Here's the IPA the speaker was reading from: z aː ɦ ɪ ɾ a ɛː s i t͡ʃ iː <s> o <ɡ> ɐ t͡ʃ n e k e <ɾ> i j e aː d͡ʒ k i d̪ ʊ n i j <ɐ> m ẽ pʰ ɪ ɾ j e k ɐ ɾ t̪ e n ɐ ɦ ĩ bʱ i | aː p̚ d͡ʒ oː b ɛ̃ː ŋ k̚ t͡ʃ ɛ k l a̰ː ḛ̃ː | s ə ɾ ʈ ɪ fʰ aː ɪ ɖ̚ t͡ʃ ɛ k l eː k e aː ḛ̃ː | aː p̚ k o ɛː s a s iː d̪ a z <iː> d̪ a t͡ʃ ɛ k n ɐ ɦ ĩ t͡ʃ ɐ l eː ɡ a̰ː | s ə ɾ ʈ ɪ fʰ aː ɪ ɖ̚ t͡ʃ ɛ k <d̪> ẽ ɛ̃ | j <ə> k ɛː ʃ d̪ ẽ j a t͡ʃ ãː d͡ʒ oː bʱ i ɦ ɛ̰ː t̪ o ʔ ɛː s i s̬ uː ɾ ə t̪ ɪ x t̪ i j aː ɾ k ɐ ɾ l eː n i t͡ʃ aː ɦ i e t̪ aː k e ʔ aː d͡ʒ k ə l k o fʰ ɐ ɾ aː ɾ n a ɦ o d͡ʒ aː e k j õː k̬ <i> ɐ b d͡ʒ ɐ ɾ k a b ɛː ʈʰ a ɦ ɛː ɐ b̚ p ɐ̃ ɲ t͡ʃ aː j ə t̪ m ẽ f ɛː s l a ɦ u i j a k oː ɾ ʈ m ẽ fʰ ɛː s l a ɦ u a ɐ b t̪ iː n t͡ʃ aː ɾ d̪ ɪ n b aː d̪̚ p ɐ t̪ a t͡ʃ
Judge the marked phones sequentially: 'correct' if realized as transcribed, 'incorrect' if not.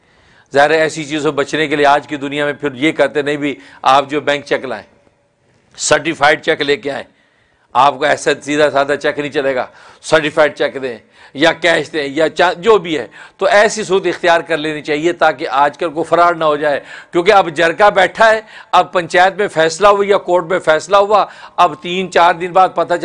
incorrect, incorrect, incorrect, incorrect, incorrect, correct, incorrect, incorrect

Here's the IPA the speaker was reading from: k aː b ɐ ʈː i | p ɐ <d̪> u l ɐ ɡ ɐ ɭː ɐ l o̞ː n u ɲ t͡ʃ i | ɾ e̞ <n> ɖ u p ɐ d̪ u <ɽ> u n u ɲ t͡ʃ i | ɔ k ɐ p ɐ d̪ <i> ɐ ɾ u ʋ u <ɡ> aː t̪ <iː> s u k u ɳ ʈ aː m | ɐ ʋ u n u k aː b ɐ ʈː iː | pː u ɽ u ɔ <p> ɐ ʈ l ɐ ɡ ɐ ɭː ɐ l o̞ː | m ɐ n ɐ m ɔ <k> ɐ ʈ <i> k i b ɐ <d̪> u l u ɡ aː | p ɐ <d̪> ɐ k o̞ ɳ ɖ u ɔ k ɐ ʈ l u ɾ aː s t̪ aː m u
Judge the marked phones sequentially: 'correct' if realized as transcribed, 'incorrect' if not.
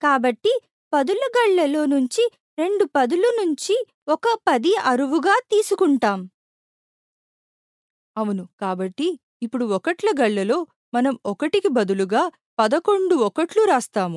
correct, incorrect, incorrect, correct, correct, correct, incorrect, correct, correct, correct, correct

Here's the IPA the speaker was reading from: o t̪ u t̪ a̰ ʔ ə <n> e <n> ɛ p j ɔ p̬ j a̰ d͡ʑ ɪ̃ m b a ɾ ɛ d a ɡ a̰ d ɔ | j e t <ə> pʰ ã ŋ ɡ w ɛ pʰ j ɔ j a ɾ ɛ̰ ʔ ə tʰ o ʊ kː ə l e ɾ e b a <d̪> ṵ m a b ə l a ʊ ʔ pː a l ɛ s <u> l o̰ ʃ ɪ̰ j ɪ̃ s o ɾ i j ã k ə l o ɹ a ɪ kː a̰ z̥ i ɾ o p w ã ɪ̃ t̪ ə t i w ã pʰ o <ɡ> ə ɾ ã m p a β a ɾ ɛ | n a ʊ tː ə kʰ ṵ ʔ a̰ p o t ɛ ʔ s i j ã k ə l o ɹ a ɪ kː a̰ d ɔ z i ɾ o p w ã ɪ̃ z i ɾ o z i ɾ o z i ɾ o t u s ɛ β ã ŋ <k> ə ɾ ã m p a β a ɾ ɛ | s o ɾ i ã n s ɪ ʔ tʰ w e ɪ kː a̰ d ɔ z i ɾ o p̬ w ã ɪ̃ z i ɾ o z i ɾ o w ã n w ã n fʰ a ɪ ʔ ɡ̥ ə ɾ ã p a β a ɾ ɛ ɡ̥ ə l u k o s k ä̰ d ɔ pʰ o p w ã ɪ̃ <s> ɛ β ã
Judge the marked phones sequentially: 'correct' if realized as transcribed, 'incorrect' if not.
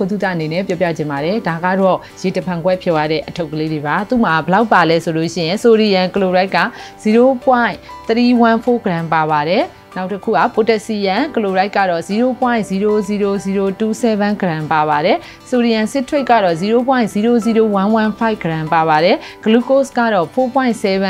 correct, correct, correct, incorrect, incorrect, correct, incorrect, correct

